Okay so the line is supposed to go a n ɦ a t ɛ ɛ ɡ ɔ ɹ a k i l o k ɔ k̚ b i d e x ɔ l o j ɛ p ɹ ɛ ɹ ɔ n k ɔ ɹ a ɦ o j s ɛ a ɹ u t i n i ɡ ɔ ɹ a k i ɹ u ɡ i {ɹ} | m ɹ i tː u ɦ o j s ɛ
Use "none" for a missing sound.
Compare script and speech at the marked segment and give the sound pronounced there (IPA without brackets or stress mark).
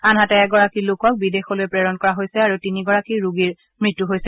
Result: ɹ